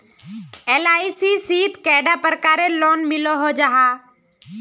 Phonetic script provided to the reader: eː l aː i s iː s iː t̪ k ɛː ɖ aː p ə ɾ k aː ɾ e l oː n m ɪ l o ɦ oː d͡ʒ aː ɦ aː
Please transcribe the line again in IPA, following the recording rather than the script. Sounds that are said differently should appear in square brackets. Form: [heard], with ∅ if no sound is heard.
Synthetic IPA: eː l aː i s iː s iː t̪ k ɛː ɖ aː p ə ɾ k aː ɾ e l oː n m ɪ l o ɦ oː d͡ʒ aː ɦ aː